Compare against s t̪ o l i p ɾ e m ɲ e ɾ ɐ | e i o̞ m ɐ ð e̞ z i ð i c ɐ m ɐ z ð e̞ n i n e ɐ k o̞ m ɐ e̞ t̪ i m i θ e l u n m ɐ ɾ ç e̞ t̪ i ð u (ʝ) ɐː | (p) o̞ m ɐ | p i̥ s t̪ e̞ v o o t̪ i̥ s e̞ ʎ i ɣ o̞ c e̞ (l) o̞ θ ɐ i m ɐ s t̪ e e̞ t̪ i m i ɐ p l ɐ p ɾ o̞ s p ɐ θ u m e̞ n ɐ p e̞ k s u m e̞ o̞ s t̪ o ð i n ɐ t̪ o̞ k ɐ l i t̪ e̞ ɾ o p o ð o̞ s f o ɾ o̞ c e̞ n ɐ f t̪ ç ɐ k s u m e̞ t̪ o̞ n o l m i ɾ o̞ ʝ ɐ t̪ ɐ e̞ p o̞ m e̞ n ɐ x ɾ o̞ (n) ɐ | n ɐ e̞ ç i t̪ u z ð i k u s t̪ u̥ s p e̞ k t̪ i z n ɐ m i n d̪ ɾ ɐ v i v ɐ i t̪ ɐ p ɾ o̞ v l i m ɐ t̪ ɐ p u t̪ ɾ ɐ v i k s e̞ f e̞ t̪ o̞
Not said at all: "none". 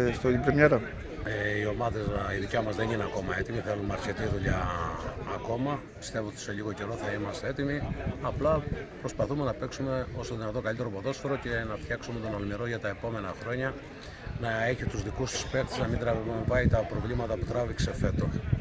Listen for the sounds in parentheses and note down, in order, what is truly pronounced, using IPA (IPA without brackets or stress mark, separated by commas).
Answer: ʎ, k, ɾ, ɲ